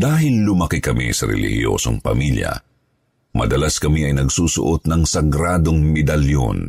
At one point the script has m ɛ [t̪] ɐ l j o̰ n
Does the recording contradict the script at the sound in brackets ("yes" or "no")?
yes